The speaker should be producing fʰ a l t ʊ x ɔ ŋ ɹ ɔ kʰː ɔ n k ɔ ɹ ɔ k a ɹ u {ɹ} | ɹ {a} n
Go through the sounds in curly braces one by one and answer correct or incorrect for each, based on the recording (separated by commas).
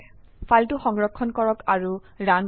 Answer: incorrect, correct